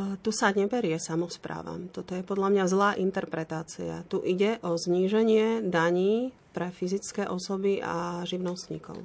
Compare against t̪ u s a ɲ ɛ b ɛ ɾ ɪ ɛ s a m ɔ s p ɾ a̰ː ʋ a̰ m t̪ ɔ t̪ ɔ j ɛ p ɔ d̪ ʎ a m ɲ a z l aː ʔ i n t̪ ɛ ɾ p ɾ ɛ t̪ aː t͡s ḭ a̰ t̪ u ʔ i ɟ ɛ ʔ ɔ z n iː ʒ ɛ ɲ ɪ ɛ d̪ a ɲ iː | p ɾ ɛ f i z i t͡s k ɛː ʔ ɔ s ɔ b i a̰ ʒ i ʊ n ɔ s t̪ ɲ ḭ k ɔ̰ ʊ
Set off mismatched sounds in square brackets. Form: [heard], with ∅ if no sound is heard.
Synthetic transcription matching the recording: t̪ u s a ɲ ɛ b ɛ ɾ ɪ ɛ s a m ɔ s p ɾ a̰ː ʋ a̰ m t̪ ɔ t̪ ɔ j ɛ p ɔ d̪ ʎ a m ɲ a z l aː ʔ i n t̪ ɛ ɾ p ɾ ɛ t̪ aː t͡s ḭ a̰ t̪ u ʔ i ɟ ɛ ʔ ɔ z [ɲ] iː ʒ ɛ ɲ ɪ ɛ d̪ a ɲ iː | p ɾ ɛ f i z i t͡s k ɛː ʔ ɔ s ɔ b i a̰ ʒ i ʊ n ɔ s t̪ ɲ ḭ k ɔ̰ ʊ